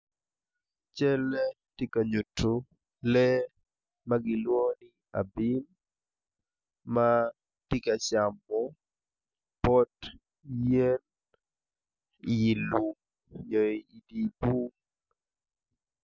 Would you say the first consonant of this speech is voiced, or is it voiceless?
voiceless